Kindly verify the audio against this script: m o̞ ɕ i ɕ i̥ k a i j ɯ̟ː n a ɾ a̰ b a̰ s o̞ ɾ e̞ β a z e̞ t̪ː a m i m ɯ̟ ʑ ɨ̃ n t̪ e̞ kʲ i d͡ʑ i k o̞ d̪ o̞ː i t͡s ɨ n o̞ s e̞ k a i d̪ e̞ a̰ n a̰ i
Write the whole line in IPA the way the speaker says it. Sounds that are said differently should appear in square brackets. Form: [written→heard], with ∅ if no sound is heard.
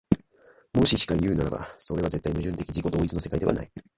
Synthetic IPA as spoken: m o̞ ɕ i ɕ i̥ k a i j ɯ̟ː n a ɾ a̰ b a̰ s o̞ ɾ e̞ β a z e̞ t̪ː a [m→∅] i m ɯ̟ ʑ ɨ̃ n t̪ e̞ kʲ i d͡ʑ i k o̞ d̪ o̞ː i t͡s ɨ n o̞ s e̞ k a i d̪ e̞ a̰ n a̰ i